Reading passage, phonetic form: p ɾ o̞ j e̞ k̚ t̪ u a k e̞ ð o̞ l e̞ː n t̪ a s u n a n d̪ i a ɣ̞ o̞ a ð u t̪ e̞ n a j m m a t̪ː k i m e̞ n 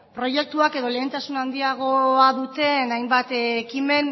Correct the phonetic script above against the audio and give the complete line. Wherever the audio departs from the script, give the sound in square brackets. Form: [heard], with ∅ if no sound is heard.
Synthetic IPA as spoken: p ɾ o̞ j e̞ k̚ t̪ u a k e̞ ð o̞ l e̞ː n t̪ a s u n a n d̪ i a ɣ̞ o̞ a ð u t̪ e̞ n a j m [b] a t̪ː k i m e̞ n